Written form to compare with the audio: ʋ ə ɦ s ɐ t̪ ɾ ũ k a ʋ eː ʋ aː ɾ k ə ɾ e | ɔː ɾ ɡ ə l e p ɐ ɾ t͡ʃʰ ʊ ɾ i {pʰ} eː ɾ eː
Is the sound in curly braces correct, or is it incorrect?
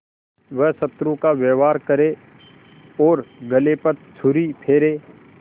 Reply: correct